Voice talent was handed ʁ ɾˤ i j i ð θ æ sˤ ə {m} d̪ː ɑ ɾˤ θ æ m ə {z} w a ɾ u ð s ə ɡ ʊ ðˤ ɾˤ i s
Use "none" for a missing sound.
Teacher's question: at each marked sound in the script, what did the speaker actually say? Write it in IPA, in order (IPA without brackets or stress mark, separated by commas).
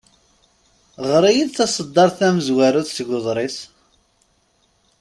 none, z